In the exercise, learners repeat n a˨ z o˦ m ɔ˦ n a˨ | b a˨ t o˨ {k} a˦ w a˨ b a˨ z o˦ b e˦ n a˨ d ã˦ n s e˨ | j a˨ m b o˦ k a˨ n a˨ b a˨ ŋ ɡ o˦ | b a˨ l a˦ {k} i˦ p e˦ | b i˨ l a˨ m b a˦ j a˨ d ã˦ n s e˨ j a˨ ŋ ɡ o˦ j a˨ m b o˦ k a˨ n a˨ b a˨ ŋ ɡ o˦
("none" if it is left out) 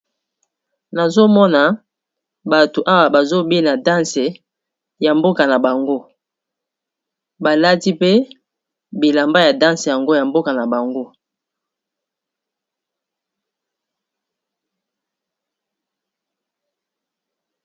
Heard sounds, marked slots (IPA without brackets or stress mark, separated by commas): ʔ, t